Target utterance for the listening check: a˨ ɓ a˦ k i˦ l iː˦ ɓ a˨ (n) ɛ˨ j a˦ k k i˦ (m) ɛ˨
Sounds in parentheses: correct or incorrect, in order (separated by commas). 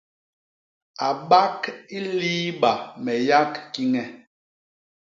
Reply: incorrect, incorrect